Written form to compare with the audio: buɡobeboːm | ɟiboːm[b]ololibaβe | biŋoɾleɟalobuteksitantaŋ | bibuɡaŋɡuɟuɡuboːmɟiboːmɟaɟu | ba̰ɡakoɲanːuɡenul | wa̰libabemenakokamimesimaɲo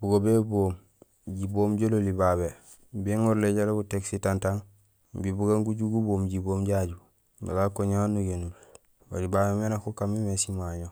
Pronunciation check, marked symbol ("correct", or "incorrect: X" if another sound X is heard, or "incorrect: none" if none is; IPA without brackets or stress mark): incorrect: ɟ